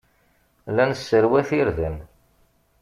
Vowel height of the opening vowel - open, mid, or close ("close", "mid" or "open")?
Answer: open